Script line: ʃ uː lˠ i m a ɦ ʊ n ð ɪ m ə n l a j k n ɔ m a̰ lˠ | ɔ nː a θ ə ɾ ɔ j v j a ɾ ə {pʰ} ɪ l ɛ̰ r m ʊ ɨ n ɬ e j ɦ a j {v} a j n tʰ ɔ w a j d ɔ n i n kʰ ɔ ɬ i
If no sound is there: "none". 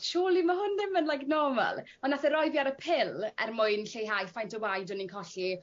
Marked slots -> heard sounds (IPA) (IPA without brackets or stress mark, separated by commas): pʰ, f